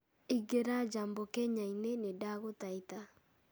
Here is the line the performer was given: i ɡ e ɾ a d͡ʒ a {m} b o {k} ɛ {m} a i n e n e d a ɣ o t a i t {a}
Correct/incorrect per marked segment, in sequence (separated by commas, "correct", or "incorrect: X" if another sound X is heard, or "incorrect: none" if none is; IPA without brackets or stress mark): correct, correct, incorrect: ɲ, correct